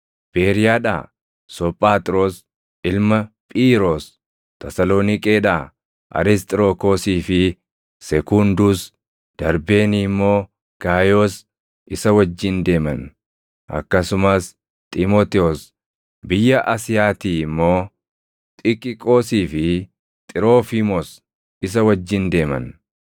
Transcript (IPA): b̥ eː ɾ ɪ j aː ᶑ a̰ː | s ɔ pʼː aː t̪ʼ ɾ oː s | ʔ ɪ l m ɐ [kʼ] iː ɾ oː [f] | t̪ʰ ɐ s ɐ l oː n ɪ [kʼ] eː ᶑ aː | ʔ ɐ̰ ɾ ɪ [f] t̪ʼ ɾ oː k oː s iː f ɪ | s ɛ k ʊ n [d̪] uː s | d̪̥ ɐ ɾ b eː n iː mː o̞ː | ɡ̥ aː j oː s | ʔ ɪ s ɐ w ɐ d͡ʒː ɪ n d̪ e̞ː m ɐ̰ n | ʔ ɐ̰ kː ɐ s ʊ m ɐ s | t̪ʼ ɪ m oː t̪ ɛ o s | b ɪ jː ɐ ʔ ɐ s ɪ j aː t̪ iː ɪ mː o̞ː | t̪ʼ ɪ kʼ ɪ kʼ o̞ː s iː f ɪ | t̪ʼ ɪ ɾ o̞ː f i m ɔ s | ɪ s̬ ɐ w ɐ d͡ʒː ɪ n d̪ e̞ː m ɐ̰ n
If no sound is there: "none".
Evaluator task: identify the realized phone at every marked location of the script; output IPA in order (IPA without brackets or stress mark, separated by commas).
pʼ, s, kʼ, s, d̪